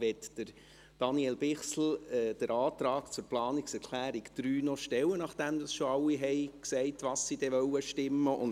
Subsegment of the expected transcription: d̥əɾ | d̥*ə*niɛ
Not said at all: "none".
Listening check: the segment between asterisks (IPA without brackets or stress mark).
ɑ